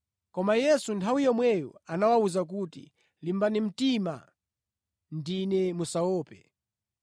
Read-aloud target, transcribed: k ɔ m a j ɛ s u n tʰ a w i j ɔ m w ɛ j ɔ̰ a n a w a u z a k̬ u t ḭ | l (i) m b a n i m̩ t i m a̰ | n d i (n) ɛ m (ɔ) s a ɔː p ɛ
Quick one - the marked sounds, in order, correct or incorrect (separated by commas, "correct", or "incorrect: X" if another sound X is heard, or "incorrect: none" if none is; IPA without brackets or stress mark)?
correct, correct, incorrect: u